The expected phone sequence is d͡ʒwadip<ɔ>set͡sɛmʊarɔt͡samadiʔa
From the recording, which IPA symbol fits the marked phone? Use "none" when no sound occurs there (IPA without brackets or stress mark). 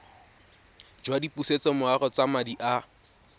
u